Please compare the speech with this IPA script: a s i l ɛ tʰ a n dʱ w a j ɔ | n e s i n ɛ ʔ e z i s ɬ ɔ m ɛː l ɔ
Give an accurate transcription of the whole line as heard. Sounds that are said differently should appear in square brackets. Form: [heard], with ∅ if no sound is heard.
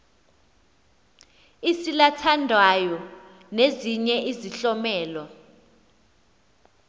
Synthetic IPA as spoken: [i] s i l [a] tʰ a n dʱ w a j ɔ | n e [z] i [ɲ] ɛ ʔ [i] z i [∅] ɬ ɔ m ɛː l ɔ